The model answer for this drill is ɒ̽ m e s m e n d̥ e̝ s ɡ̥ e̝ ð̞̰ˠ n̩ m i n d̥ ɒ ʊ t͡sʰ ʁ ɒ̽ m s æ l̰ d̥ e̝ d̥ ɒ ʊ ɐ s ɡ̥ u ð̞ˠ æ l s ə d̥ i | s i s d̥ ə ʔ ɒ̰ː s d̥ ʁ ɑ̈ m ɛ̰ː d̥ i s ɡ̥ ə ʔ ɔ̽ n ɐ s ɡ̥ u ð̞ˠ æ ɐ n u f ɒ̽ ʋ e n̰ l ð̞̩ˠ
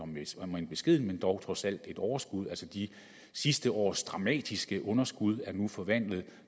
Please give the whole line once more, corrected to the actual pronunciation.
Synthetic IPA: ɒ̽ m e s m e n b̥ e̝ s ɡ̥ e̝ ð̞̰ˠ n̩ m e n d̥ ɒ ʊ t͡sʰ ʁ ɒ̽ s æ l̰ d̥ e̝ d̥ ɒ ʊ ɐ s ɡ̥ u ð̞ˠ æ l s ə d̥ i | s i s d̥ ə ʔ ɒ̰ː s d̥ ʁ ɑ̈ m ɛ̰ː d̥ i s ɡ̥ ə ʔ ɔ̽ n ɐ s ɡ̥ u ð̞ˠ æ ɐ n u f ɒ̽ ʋ æ n̰ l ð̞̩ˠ